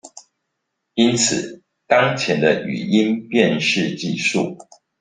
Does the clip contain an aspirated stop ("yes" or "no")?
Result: yes